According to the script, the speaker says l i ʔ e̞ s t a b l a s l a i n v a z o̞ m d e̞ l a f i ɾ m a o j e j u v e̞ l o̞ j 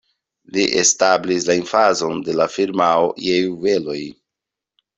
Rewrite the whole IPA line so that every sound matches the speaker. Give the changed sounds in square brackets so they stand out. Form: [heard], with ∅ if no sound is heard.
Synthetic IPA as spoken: l i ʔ e̞ s t a b l [i] s l a i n [f] a z o̞ [n] d e̞ l a f i ɾ m a o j e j u v e̞ l o̞ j